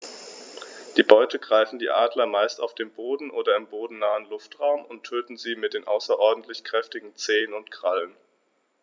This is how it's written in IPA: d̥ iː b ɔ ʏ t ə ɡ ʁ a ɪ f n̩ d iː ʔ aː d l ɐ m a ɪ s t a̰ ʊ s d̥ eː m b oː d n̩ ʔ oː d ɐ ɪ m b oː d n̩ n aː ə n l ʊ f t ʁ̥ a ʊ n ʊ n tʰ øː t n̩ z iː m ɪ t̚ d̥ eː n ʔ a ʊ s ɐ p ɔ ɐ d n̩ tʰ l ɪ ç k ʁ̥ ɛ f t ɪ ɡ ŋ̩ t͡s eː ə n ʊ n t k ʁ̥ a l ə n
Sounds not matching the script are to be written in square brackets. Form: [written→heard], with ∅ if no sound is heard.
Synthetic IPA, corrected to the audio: d̥ iː b ɔ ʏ t ə ɡ ʁ a ɪ f n̩ d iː ʔ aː d l ɐ m a ɪ s t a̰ ʊ [s→f] d̥ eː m b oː d n̩ ʔ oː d ɐ ɪ m b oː d n̩ n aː ə n l ʊ f t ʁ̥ a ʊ [n→m] ʊ n tʰ øː t n̩ z iː m ɪ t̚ d̥ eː n ʔ a ʊ s ɐ [p→ʔ] ɔ ɐ d n̩ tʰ l ɪ ç k ʁ̥ ɛ f t ɪ ɡ ŋ̩ t͡s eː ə n ʊ n t k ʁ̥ a l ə n